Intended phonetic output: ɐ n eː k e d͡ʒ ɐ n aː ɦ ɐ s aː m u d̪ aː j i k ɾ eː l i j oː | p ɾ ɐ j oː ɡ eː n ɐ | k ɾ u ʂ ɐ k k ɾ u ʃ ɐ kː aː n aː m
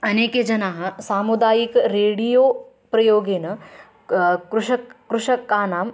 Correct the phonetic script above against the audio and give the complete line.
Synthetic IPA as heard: ɐ n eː k e d͡ʒ ɐ n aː ɦ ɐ s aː m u d̪ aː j i k ɾ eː ɽ i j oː | p ɾ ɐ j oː ɡ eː n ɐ | k ɾ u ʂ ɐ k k ɾ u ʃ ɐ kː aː n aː m